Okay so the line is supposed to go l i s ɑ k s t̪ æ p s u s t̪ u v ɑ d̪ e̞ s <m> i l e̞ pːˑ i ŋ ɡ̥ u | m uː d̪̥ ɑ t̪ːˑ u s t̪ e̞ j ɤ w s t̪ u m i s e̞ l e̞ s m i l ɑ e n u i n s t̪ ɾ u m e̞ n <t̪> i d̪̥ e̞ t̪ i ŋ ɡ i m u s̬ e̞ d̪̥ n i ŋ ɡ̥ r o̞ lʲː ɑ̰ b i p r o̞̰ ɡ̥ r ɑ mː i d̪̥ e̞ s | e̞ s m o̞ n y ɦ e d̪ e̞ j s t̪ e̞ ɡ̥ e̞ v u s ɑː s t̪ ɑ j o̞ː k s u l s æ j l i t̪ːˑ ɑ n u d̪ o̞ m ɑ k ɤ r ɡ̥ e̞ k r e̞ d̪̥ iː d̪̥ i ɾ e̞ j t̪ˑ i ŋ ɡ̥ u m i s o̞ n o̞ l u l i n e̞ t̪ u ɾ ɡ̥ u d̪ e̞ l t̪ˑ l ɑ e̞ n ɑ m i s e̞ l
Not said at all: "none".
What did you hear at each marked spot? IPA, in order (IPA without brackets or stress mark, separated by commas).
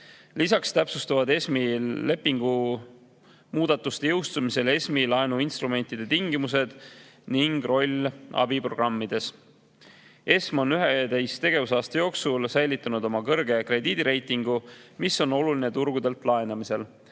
m, t̪